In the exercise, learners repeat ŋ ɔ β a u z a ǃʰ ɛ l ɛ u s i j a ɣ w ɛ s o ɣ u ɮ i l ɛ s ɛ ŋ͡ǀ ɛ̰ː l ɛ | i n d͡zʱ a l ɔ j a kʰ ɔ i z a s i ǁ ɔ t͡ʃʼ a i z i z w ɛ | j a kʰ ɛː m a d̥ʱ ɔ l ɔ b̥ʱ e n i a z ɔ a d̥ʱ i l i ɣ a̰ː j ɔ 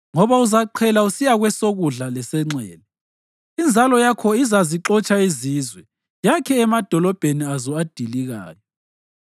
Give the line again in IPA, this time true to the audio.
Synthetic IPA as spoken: ŋ ɔ β a u z a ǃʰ ɛ l a u s i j a ɣ w ɛ s o ɣ u ɮ a l ɛ s ɛ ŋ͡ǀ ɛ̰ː l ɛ | i n d͡zʱ a l ɔ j a kʰ ɔ i z a z i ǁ ɔ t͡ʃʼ a i z i z w ɛ | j a kʰ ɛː m a d̥ʱ ɔ l ɔ b̥ʱ e n i a z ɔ a d̥ʱ i l i ɣ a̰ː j ɔ